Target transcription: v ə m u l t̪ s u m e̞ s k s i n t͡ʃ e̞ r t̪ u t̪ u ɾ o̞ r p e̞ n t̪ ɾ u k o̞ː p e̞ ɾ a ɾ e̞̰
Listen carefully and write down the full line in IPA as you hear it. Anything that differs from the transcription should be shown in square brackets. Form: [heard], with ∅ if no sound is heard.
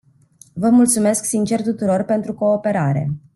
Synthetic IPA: v ə m u l t̪ s u m e̞ s k s i n t͡ʃ e̞ r t̪ u t̪ u ɾ o̞ r p e̞ n t̪ ɾ u k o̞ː p e̞ ɾ a ɾ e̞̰